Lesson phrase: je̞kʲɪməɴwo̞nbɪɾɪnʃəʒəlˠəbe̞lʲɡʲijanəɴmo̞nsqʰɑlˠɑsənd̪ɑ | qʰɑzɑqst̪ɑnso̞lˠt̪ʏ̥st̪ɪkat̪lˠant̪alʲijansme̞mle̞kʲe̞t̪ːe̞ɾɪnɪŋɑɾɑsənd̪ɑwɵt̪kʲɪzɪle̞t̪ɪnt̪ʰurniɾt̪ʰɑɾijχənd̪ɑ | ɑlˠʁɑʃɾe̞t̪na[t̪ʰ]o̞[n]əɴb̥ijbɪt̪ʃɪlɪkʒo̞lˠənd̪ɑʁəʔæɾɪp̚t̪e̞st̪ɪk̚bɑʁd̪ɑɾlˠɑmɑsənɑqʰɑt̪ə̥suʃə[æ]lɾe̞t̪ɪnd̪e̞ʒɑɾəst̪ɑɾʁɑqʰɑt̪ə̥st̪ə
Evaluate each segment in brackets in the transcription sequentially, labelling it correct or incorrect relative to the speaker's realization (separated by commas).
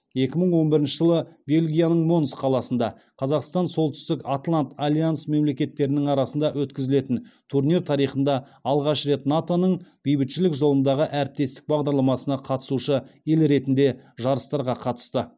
incorrect, correct, incorrect